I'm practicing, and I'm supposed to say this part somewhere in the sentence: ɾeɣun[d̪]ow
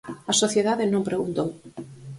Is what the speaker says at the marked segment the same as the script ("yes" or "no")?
no